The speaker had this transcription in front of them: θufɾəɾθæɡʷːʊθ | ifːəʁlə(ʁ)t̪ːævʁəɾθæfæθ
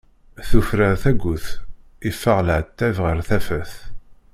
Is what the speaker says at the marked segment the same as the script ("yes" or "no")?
no